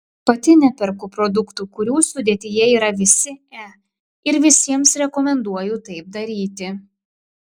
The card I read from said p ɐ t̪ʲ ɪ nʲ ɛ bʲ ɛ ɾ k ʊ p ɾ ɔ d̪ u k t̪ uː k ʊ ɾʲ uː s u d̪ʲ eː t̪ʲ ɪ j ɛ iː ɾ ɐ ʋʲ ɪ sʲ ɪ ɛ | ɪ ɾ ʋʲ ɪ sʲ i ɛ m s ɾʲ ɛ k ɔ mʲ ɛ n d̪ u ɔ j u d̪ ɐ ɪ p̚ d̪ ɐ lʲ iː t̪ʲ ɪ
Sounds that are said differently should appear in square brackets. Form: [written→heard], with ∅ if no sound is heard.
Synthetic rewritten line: p ɐ t̪ʲ ɪ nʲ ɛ [bʲ→pʲ] ɛ ɾ k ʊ p ɾ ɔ d̪ [u→ʊ] k t̪ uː k ʊ ɾʲ uː s [u→ʊ] d̪ʲ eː t̪ʲ ɪ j ɛ iː ɾ ɐ ʋʲ ɪ sʲ ɪ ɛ | ɪ ɾ ʋʲ ɪ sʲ i ɛ m s ɾʲ ɛ k ɔ mʲ ɛ n d̪ u ɔ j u [d̪→t̪] ɐ ɪ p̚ d̪ ɐ [lʲ→ɾʲ] iː t̪ʲ ɪ